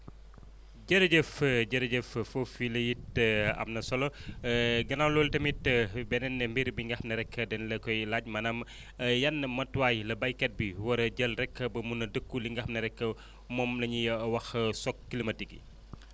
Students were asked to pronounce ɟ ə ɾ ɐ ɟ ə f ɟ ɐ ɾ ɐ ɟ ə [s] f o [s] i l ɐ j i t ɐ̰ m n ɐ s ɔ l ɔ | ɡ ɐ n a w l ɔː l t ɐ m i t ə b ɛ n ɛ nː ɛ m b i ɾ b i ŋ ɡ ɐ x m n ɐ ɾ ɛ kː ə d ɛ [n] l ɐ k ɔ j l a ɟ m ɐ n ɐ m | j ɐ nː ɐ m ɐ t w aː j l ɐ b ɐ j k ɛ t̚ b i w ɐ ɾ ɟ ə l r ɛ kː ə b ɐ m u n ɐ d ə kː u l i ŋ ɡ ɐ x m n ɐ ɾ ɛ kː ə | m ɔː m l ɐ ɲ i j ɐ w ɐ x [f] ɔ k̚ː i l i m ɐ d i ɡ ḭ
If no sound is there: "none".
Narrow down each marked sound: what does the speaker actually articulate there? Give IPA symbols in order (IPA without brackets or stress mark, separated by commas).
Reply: f, f, n, s